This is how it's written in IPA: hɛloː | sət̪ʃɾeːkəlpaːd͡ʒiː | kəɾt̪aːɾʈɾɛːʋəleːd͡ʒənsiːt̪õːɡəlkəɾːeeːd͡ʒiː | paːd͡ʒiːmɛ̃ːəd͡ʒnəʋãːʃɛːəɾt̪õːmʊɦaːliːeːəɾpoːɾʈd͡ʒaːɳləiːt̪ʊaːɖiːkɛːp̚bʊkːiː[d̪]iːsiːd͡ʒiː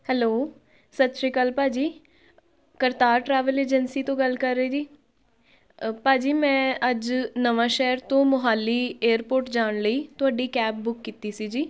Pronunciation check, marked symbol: incorrect: t̪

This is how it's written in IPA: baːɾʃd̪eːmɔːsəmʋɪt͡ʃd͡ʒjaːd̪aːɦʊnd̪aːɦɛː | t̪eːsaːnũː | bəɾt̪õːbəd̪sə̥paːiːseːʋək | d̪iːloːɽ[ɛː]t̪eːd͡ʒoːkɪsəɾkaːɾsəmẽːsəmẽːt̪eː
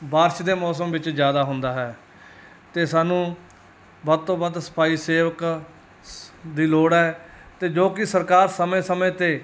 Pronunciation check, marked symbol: correct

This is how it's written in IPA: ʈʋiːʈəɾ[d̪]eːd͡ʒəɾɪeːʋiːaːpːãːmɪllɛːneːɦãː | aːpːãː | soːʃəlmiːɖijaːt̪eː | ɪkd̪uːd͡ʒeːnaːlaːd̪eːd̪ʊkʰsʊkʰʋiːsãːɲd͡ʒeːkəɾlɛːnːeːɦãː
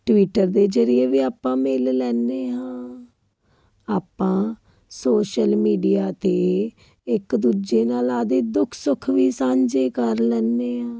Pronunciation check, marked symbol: correct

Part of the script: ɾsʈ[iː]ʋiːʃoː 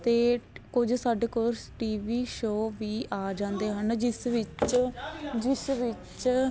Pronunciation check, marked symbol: correct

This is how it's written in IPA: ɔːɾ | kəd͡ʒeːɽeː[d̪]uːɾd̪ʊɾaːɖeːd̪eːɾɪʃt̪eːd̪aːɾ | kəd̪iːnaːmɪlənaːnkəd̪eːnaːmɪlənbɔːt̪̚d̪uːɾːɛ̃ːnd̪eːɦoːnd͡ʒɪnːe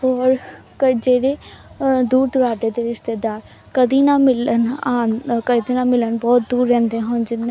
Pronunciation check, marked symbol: correct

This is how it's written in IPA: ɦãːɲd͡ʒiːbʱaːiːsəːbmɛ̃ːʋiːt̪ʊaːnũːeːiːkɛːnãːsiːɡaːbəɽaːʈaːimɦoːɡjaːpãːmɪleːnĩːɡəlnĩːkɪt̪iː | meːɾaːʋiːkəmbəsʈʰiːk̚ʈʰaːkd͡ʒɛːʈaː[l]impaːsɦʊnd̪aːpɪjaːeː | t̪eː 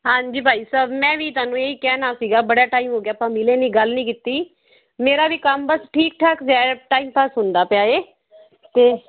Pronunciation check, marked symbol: incorrect: none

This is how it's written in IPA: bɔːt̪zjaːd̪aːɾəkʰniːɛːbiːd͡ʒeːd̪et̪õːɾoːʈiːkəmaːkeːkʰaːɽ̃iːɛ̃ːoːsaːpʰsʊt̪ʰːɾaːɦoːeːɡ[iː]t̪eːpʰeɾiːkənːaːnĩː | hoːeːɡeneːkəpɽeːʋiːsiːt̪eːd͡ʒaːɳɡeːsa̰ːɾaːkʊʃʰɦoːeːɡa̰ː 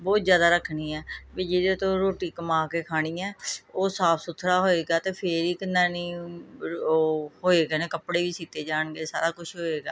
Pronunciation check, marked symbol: incorrect: aː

